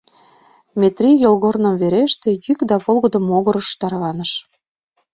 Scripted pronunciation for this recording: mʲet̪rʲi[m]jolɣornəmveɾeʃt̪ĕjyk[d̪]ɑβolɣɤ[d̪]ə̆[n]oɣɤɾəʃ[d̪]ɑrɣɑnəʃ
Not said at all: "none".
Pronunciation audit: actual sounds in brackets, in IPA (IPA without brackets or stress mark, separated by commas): none, d̪, d̪, m, t̪